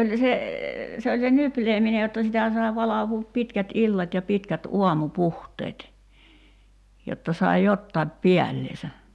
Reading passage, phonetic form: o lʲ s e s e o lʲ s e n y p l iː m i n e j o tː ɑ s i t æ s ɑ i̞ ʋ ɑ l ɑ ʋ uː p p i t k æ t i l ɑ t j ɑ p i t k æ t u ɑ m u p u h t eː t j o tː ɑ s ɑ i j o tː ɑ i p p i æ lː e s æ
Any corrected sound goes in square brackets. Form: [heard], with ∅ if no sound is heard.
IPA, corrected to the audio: o lʲ s e s e o lʲ s e n y p l [eː] m i n e j o tː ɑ s i t æ s ɑ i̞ ʋ ɑ l ɑ ʋ uː p p i t k æ t i [lː] ɑ t j ɑ p i t k æ t u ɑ m u p u h t eː t j o tː ɑ s ɑ i j o tː ɑ i p p i æ lː e s æ